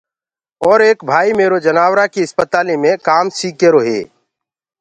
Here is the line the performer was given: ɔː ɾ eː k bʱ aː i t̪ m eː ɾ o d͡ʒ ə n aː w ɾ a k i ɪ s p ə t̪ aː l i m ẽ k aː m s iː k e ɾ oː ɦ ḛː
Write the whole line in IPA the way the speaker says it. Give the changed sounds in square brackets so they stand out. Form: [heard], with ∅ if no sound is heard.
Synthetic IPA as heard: ɔː ɾ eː k bʱ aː i [∅] m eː ɾ o d͡ʒ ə n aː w ɾ a k i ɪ s p ə t̪ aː l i m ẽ k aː m s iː k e ɾ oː ɦ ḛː